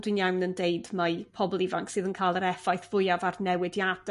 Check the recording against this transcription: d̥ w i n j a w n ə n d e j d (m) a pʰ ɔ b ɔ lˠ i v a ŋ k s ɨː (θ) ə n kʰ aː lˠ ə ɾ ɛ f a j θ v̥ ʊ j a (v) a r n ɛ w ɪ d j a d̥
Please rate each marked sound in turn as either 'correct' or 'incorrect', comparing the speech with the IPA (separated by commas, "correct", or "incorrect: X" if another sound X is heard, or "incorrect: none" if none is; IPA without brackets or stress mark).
correct, incorrect: ð, correct